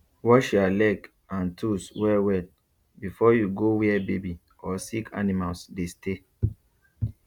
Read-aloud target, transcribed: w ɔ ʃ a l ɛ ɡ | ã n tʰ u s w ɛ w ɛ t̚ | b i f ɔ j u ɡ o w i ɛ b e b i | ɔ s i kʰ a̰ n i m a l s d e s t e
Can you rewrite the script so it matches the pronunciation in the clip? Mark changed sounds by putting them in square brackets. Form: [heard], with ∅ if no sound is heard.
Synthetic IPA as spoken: w ɔ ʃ a l ɛ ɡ | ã n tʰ u s w ɛ w ɛ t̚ | b i f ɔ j u ɡ o w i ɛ b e b i | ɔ s i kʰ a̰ n i m a l s d e s t e